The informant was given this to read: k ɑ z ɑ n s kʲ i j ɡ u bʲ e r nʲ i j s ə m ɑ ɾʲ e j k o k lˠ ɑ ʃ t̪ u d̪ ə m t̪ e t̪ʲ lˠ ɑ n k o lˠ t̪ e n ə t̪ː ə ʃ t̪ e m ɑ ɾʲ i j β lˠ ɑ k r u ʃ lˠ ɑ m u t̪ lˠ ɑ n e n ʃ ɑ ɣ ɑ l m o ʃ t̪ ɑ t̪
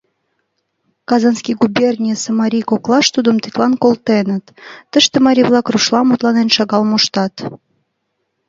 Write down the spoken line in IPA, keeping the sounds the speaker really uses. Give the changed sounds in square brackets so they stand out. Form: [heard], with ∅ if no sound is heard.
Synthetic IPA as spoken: k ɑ z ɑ n s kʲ i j ɡ u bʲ e r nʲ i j s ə m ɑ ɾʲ [i] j k o k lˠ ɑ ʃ t̪ u d̪ ə m t̪ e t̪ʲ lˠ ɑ n k o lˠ t̪ e n ə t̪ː ə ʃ t̪ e m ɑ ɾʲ i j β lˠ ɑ k r u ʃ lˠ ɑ m u t̪ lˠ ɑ n e n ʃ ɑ ɣ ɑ l m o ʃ t̪ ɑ t̪